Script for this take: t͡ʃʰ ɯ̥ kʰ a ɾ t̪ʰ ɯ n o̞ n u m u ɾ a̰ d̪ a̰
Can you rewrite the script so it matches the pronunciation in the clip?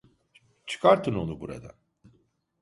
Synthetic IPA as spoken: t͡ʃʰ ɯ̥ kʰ a ɾ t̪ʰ ɯ n o̞ n u b u ɾ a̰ d̪ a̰